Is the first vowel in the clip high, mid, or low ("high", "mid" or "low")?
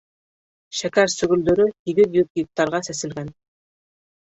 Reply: low